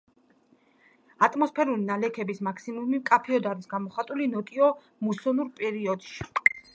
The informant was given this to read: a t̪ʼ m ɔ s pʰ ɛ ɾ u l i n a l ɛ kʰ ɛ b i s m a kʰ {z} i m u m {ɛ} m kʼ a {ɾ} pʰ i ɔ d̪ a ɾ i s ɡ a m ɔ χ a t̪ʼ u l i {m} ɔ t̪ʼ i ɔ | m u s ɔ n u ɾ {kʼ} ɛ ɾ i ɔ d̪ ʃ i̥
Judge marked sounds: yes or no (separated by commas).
no, no, no, no, no